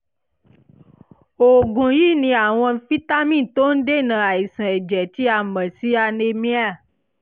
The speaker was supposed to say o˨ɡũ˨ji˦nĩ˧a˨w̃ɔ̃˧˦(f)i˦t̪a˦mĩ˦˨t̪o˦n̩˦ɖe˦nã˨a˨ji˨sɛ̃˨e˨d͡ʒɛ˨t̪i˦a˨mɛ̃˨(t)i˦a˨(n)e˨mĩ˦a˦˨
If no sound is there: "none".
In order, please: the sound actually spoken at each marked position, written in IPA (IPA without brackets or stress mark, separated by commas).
f, s, n